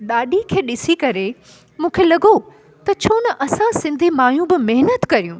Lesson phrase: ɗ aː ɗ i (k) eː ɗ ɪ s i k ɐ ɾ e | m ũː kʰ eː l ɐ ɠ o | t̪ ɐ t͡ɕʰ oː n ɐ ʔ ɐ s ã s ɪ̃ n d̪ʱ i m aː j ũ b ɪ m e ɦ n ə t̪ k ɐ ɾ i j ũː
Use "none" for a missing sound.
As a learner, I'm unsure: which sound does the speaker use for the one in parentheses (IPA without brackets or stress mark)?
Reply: kʰ